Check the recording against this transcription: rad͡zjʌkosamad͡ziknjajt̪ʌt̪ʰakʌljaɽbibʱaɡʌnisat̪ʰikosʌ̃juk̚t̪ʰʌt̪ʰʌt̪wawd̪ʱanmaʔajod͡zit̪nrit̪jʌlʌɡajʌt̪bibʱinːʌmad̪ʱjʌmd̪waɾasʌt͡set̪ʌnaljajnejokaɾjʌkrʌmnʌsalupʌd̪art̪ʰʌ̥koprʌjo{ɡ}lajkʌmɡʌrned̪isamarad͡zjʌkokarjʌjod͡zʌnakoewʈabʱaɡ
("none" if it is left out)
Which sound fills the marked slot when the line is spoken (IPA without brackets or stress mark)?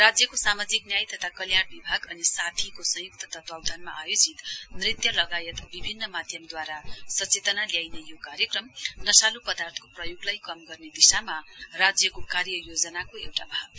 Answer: ɡ